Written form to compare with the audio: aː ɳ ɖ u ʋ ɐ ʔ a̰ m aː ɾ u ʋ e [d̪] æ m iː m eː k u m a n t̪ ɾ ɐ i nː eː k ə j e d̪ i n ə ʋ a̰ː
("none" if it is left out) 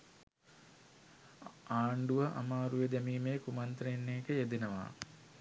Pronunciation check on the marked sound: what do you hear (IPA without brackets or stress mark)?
d̪